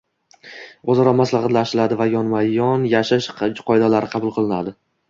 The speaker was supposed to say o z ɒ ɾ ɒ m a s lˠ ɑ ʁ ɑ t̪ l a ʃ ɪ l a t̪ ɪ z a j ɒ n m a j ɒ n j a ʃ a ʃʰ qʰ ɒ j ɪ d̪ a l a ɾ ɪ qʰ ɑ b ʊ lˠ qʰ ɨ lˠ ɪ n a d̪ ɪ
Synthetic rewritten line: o z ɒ ɾ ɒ m a s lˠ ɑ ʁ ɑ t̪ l a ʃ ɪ l a d̪ ɪ v a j ɒ n m a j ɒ n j a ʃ a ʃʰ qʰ ɒ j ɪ d̪ a l a ɾ ɪ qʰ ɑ b ʊ lˠ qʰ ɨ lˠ ɪ n a d̪ ɪ